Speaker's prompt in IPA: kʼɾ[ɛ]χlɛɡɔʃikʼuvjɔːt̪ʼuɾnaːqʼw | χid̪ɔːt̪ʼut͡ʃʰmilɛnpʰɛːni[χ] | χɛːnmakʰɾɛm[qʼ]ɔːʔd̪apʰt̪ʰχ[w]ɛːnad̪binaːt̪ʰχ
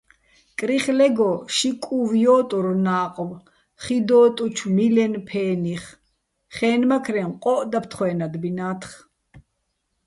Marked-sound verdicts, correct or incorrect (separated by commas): incorrect, correct, correct, correct